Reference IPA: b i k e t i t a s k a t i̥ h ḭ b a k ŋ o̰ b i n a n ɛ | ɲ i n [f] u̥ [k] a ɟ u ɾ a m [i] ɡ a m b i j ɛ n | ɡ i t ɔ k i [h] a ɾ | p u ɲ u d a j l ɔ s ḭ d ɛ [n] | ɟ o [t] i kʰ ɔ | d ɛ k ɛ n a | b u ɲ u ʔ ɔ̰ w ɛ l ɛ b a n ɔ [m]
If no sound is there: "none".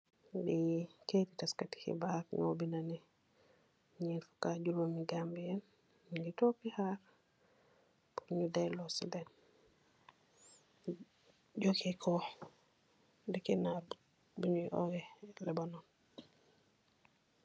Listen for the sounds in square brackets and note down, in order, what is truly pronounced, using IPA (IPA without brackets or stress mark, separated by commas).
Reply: f, k, i, h, n, k, n